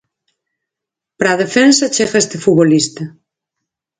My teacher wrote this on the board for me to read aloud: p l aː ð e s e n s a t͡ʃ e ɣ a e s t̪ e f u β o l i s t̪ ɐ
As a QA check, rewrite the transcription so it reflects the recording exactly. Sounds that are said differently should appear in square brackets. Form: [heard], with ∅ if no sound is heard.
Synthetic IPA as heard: p [ɾ] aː ð e [f] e n s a t͡ʃ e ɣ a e s t̪ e f u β o l i s t̪ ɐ